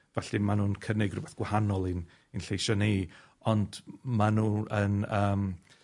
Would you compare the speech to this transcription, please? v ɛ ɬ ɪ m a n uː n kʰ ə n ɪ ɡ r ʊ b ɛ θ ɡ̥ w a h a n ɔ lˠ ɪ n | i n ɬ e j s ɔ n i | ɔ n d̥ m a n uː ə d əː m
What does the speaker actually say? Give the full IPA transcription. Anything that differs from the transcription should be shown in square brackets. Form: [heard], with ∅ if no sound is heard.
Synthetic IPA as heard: v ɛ ɬ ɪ m a n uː n kʰ ə n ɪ ɡ r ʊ b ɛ θ ɡ̥ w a h a n ɔ lˠ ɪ n | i n ɬ e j [ʃ] ɔ n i | ɔ n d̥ m a n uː ə [n] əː m